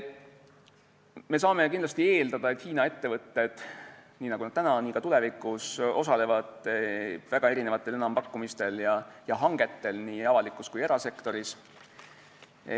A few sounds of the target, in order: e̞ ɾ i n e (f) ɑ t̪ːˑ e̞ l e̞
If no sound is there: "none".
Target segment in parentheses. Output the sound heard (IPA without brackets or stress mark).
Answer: v